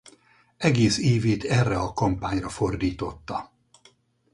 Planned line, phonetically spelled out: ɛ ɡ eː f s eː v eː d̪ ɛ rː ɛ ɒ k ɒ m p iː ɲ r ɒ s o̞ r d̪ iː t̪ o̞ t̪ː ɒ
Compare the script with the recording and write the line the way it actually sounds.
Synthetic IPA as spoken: ɛ ɡ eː s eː v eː t̪ ɛ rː ɛ ɒ k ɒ m p aː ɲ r ɒ f o̞ r d̪ iː t̪ o̞ t̪ː ɒ

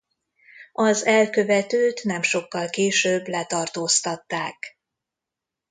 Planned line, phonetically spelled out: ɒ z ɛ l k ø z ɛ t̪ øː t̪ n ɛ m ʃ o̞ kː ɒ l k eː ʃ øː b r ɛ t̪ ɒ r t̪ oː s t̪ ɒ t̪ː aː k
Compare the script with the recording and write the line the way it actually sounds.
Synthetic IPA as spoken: ɒ z ɛ l k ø v ɛ t̪ øː t̪ n ɛ m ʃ o̞ kː ɒ l k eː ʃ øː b l ɛ t̪ ɒ r t̪ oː s t̪ ɒ t̪ː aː k

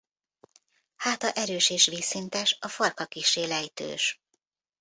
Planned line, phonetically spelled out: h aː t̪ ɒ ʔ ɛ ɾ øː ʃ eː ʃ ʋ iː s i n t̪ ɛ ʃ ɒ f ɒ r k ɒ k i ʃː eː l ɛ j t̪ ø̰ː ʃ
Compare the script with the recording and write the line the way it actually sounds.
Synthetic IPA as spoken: h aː t̪ ɒ ʔ ɛ ɾ øː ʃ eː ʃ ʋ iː s i n t̪ ɛ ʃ ɒ f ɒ r k ɒ k i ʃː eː l ɛ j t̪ ø̰ː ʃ

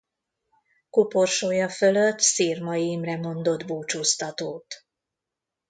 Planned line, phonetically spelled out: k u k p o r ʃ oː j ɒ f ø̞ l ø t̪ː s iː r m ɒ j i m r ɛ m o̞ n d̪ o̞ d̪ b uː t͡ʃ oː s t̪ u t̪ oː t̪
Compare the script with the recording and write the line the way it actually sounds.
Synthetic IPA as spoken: k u p o r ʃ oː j ɒ f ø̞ l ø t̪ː s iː r m ɒ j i m r ɛ m o̞ n d̪ o̞ d̪ b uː t͡ʃ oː s t̪ ɒ t̪ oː t̪

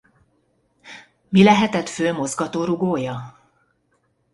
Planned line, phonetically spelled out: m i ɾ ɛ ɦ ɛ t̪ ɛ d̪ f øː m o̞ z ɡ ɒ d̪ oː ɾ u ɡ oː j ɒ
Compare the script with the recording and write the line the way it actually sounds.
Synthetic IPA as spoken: m i l ɛ ɦ ɛ t̪ ɛ t̪ f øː m o̞ z ɡ ɒ t̪ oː ɾ u ɡ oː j ɒ

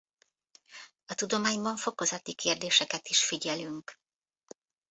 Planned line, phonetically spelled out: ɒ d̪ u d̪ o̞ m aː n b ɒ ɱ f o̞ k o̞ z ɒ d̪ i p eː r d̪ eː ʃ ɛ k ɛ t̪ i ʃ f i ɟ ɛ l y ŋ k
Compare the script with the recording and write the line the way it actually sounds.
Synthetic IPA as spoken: ɒ t̪ u d̪ o̞ m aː ɲ b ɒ ɱ f o̞ k o̞ z ɒ t̪ i k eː r d̪ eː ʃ ɛ k ɛ t̪ i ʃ f i ɟ ɛ l y ŋ k

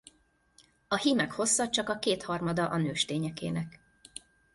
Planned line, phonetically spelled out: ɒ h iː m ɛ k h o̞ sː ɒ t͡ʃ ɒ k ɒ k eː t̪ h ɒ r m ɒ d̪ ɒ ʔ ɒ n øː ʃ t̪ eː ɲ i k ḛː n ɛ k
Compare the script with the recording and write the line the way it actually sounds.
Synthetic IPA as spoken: ɒ h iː m ɛ k h o̞ sː ɒ t͡ʃ ɒ k ɒ k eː t̪ h ɒ r m ɒ d̪ ɒ ʔ ɒ n øː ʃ t̪ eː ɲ ɛ k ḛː n ɛ k

